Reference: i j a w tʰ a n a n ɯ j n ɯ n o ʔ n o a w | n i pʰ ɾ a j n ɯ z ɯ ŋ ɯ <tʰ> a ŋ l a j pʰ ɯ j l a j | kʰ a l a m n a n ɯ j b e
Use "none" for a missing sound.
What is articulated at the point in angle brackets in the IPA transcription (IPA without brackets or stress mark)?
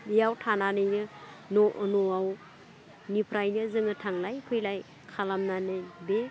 tʰ